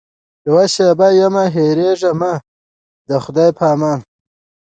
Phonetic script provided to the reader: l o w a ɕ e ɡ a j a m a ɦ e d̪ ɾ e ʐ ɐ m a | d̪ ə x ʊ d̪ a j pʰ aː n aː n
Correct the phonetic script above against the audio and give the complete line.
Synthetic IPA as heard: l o w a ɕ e b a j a m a ɦ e ɾ e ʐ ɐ m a | d̪ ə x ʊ d̪ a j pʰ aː m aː n